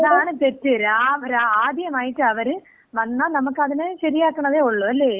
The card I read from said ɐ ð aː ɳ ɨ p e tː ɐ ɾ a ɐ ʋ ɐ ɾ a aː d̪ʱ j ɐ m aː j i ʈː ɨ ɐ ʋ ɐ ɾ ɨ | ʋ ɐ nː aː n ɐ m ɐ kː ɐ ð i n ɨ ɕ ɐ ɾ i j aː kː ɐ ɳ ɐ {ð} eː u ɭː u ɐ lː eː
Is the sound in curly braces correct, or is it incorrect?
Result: correct